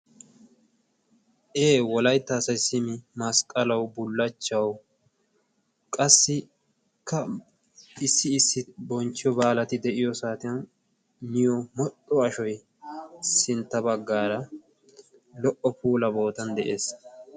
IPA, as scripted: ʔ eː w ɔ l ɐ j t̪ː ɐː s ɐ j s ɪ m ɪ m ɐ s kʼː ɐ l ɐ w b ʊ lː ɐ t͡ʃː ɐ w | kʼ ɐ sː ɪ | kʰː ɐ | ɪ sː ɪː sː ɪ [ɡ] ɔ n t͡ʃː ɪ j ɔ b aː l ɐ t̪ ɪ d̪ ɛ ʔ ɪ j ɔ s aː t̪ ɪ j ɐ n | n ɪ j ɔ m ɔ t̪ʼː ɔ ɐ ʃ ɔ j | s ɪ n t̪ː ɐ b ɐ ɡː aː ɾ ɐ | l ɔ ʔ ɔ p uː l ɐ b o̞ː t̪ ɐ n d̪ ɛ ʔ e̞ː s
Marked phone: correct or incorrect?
incorrect